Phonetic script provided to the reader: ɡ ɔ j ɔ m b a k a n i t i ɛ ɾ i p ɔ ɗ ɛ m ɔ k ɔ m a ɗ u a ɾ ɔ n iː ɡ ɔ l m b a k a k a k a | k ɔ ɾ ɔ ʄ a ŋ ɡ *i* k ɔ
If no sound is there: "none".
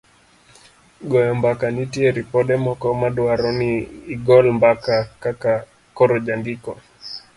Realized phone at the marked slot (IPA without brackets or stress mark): i